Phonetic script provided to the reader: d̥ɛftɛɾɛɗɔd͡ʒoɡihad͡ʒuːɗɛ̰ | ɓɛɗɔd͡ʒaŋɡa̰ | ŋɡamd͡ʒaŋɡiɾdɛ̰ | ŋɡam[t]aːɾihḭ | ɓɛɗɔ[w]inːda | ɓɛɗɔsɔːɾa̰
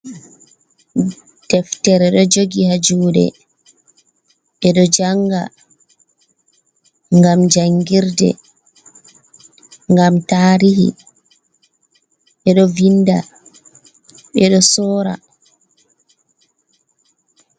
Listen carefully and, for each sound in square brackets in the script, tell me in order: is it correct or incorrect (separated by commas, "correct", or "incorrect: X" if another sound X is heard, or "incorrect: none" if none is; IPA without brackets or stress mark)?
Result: correct, incorrect: v